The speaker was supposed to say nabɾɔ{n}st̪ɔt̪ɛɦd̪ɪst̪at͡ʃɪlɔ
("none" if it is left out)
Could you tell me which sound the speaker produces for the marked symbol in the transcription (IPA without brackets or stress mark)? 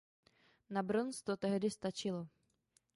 n